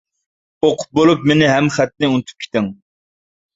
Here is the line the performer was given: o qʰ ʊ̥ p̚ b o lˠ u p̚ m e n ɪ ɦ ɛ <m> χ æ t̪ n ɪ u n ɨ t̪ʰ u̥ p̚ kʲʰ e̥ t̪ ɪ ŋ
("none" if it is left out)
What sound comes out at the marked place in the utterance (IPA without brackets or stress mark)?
m